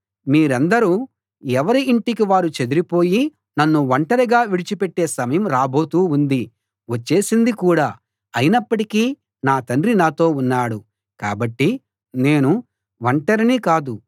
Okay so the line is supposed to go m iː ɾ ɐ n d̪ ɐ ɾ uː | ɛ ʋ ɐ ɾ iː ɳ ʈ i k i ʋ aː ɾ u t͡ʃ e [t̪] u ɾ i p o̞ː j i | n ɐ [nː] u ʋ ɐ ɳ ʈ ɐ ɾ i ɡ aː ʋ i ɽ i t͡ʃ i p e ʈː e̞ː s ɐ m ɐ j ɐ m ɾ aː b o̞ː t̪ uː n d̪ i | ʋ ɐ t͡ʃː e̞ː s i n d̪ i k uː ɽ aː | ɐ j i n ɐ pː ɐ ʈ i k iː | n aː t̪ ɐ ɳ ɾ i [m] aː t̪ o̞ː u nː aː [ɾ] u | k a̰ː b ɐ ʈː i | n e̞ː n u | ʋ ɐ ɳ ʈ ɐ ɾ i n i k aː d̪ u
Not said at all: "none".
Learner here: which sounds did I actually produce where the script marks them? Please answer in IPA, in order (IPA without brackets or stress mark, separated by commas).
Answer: d̪, nː, n, ɽ